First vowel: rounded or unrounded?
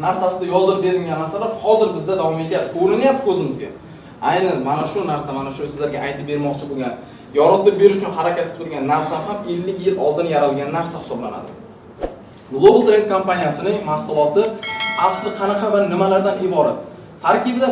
unrounded